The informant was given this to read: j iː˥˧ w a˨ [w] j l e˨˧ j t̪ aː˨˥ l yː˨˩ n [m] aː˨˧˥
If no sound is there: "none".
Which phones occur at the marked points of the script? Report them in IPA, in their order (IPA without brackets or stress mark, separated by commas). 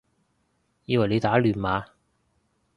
none, m